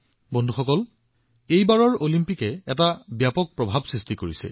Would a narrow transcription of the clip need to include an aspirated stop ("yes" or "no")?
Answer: no